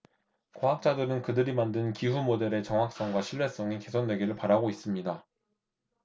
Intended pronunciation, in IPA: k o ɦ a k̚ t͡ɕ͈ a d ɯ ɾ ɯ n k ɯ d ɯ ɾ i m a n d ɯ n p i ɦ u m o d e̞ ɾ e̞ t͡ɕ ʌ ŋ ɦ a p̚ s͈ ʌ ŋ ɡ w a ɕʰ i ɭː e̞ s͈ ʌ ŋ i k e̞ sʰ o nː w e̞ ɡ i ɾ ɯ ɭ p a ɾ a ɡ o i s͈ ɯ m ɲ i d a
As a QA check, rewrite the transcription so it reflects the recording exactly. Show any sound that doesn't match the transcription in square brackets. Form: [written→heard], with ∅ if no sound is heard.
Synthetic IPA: k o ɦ a k̚ t͡ɕ͈ a d ɯ ɾ ɯ n k ɯ d ɯ ɾ i m a n d ɯ n [p→k] i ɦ u m o d e̞ ɾ e̞ t͡ɕ ʌ ŋ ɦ a [p̚→k̚] s͈ ʌ ŋ ɡ w a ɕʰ i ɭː e̞ s͈ ʌ ŋ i k e̞ sʰ o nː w e̞ ɡ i ɾ ɯ ɭ p a ɾ a ɡ o i s͈ ɯ m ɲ i d a